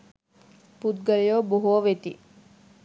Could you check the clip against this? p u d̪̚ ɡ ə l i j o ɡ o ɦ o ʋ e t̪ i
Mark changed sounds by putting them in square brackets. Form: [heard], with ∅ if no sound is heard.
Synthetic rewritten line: p u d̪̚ ɡ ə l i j o [b] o ɦ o ʋ e t̪ i